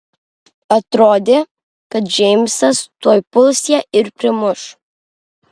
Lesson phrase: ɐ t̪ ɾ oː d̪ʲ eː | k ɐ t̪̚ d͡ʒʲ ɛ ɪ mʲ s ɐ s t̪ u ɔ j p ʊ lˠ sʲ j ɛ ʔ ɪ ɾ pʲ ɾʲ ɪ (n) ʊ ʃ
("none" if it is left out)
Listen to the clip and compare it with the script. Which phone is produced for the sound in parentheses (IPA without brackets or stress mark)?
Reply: m